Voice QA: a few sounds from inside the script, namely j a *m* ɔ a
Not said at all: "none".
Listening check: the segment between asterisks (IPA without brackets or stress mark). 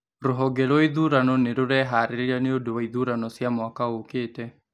m